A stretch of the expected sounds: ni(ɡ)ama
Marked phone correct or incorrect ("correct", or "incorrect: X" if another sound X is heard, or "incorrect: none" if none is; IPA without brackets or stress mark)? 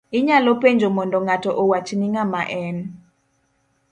incorrect: ŋ